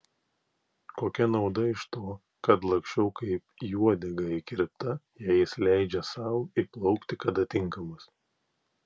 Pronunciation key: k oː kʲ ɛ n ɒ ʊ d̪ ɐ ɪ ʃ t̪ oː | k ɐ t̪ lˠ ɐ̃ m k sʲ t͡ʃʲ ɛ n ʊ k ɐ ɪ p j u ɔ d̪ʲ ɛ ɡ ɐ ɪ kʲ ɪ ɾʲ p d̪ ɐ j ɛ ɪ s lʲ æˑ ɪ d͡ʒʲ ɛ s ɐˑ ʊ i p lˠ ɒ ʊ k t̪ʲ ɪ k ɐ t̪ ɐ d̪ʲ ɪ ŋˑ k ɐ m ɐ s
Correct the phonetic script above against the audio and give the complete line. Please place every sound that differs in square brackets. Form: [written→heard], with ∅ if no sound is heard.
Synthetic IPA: k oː kʲ ɛ n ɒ ʊ d̪ ɐ ɪ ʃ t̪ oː | k ɐ t̪ lˠ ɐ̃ [m→ŋ] k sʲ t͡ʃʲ ɛ [n→∅] ʊ k ɐ ɪ p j u ɔ d̪ʲ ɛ ɡ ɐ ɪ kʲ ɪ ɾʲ p [d̪→t̪] ɐ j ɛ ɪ s lʲ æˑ ɪ d͡ʒʲ ɛ s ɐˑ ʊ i p lˠ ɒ ʊ k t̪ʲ ɪ k ɐ [t̪→d̪] ɐ [d̪ʲ→t̪ʲ] ɪ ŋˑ k ɐ m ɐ s